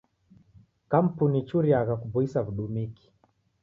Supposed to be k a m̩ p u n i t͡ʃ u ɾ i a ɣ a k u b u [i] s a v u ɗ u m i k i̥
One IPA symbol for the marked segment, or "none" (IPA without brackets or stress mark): i